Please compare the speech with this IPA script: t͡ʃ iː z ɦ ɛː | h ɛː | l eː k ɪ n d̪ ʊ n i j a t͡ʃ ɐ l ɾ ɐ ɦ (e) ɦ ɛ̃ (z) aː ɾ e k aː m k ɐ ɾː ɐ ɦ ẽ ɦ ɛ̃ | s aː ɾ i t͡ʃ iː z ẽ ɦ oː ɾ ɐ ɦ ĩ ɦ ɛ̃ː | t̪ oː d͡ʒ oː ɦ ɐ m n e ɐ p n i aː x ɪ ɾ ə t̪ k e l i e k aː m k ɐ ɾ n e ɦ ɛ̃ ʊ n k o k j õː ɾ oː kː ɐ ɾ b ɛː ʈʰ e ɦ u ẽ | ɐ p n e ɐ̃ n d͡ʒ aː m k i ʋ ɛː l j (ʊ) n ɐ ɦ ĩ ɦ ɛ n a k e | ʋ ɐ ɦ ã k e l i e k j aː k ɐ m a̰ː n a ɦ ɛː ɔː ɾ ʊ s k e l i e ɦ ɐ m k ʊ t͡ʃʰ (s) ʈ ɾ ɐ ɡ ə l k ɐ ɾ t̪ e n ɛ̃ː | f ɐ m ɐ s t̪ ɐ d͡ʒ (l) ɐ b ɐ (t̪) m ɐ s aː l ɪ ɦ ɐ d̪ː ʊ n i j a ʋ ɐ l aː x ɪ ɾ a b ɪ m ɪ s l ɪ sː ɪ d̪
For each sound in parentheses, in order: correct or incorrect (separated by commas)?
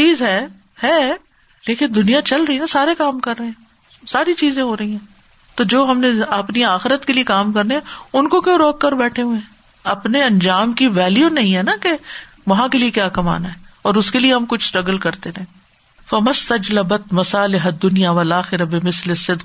incorrect, incorrect, incorrect, correct, correct, correct